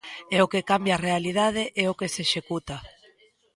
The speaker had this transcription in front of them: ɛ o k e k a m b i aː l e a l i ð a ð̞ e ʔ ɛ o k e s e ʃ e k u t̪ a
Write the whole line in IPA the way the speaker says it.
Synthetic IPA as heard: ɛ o k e k a m b j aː r e a l i ð a ð̞ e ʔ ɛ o k e s e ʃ e k u t̪ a

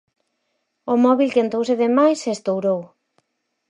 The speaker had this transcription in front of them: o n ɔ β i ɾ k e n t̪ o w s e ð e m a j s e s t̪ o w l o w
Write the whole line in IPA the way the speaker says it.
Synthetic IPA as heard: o m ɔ β i l k e n t̪ o w s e ð e m a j s e s t̪ o w ɾ o w

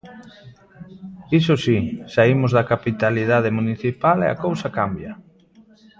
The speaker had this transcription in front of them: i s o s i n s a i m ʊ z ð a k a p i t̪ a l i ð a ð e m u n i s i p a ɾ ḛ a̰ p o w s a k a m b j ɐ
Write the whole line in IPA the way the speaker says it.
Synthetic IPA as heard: i s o s i s a i m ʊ z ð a k a p i t̪ a l i ð a ð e m u n i θ i p a l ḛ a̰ k o w s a k a m b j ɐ

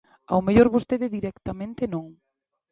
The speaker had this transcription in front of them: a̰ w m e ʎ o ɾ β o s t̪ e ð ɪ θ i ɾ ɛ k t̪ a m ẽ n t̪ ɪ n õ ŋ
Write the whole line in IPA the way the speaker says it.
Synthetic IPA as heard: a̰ w m e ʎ o ɾ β o s t̪ e ð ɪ ð i ɾ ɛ k t̪ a m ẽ n t̪ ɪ n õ ŋ

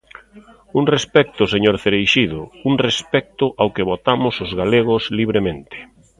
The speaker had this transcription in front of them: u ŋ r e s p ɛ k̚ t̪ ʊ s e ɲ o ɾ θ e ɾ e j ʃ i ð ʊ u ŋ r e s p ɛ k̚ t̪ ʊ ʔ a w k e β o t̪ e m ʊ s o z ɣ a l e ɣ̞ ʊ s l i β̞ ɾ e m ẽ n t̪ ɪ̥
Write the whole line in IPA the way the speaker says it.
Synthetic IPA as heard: u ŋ r e s p ɛ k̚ t̪ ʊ s e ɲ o ɾ θ e ɾ e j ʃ i ð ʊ u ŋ r e s p ɛ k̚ t̪ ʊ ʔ a w k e β o t̪ a m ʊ s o z ɣ a l e ɣ̞ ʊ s l i β̞ ɾ e m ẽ n t̪ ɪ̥

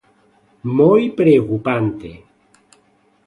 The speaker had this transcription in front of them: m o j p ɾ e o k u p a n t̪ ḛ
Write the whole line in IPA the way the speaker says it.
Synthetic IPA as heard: m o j p ɾ e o k u p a n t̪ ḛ

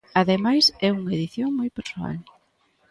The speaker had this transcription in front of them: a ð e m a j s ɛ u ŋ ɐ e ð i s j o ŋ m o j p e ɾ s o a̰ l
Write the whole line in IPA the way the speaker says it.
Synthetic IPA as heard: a ð e m a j s ɛ u ŋ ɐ e ð i θ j o ŋ m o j p e ɾ s o a̰ l

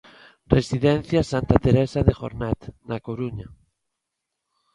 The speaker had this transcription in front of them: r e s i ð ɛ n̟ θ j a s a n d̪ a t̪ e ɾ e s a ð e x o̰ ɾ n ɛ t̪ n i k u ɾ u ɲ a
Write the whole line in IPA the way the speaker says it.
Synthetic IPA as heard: r e s i ð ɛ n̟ θ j a s a n t̪ a t̪ e ɾ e s a ð e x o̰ ɾ n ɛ t̪ n a k o ɾ u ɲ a

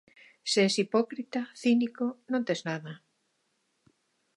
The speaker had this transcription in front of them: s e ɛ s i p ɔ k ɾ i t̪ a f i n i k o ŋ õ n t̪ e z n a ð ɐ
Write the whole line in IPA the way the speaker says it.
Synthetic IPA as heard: s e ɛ s i p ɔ k ɾ i t̪ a θ i n i k o n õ n t̪ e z n a ð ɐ

